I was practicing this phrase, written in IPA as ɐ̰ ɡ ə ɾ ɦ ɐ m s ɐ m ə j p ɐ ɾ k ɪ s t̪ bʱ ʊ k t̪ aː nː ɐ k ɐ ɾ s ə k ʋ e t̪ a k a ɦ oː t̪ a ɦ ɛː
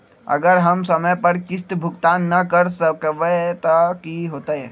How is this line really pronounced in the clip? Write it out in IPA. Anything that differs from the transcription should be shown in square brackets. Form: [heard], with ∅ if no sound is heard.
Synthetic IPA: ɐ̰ ɡ ə ɾ ɦ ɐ m s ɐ m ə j p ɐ ɾ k ɪ s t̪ bʱ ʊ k t̪ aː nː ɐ k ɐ ɾ s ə k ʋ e t̪ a k [i] ɦ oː t̪ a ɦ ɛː